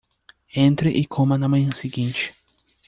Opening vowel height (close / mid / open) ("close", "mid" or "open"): mid